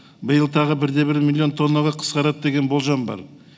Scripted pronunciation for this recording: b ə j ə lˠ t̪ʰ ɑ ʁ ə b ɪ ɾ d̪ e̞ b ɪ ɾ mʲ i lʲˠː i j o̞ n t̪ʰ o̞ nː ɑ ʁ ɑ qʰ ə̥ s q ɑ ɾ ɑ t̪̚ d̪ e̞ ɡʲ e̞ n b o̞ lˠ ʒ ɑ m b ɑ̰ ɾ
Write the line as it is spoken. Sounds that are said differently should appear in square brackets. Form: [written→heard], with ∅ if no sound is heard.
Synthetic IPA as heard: b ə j ə lˠ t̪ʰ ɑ ʁ ə b ɪ ɾ d̪ e̞ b ɪ ɾ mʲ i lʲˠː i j o̞ n t̪ʰ o̞ nː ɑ ʁ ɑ qʰ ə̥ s q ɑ ɾ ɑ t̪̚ d̪ e̞ ɡʲ e̞ n b o̞ lˠ ʒ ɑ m b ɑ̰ ɾ